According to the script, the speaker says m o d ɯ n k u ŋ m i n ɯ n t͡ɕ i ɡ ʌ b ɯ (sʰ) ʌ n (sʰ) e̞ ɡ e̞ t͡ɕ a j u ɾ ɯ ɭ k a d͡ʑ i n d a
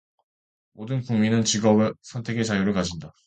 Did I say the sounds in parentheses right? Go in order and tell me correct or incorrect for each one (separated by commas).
correct, incorrect